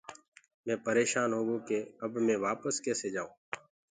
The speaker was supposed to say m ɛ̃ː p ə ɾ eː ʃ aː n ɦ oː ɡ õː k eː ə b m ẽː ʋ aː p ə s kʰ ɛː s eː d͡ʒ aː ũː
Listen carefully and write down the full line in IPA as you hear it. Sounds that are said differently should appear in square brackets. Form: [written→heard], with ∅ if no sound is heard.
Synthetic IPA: m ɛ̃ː p ə ɾ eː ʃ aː n ɦ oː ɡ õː k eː ə b m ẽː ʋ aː p ə s [kʰ→k] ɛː s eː d͡ʒ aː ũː